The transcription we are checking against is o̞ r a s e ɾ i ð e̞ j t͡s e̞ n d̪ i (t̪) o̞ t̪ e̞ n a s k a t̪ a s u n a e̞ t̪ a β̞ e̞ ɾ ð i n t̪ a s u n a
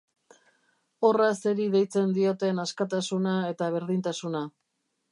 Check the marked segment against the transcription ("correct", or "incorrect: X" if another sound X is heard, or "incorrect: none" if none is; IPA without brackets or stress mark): incorrect: none